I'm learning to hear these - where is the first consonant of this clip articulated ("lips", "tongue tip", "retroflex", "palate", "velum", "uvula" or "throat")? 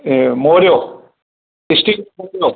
lips